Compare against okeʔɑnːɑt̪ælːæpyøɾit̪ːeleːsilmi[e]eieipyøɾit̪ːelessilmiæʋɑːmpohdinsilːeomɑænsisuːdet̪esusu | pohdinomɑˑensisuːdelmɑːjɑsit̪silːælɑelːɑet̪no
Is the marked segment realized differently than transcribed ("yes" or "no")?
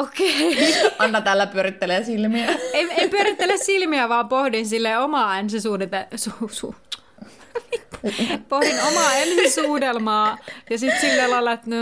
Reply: yes